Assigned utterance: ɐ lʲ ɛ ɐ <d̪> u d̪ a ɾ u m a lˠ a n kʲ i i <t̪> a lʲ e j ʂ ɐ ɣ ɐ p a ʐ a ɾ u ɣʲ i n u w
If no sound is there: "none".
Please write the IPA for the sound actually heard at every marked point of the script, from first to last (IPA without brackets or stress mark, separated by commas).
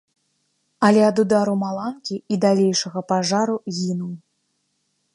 d̪, d̪